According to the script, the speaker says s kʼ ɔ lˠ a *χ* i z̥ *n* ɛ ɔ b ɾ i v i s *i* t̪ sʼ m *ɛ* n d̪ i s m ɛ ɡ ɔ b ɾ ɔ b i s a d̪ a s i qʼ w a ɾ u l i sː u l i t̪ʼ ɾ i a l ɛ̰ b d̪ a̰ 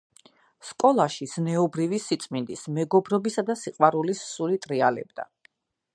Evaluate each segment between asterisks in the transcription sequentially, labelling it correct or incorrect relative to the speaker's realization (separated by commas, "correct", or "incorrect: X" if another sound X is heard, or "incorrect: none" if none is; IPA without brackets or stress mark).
incorrect: ʃ, correct, correct, incorrect: i